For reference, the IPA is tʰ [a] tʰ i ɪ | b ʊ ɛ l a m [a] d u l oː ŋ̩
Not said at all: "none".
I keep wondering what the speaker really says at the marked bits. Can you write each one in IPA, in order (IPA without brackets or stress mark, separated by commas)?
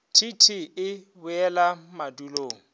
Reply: i, a